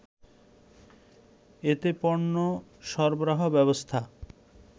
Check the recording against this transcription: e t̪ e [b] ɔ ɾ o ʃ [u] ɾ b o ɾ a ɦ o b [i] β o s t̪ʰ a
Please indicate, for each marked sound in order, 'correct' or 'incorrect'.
incorrect: p, incorrect: ɔ, incorrect: ɛ

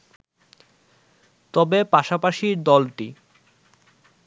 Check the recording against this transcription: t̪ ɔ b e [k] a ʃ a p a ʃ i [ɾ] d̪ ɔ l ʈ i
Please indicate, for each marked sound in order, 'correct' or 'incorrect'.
incorrect: p, correct

